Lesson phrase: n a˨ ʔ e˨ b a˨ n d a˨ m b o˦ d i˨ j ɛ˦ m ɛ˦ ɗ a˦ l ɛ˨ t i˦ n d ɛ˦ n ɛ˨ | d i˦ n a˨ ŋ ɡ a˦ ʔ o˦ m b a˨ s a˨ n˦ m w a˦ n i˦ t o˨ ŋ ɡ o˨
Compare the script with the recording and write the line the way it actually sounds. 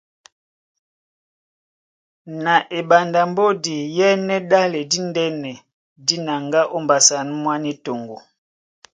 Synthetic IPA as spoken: n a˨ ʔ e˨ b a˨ n d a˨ m b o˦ d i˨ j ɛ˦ n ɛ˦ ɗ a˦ l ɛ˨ d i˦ n d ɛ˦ n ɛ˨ | d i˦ n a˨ ŋ ɡ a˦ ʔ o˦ m b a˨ s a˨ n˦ m w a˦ n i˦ t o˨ ŋ ɡ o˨